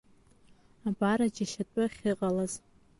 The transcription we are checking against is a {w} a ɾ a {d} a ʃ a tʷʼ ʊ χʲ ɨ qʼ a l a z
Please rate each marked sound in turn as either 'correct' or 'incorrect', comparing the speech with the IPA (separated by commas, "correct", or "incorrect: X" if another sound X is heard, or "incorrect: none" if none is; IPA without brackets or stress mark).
incorrect: b, incorrect: d͡ʒ